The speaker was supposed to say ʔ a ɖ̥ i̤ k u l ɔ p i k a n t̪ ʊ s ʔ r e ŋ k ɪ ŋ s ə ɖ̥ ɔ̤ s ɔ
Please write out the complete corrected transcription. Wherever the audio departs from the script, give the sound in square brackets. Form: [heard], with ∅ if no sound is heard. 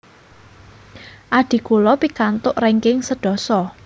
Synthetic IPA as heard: ʔ a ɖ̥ i̤ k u l ɔ p i k a n t̪ ʊ [∅] ʔ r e ŋ k ɪ ŋ s ə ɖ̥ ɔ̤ s ɔ